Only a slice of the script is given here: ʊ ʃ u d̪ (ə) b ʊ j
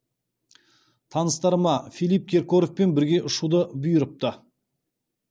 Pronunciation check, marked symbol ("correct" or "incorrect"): correct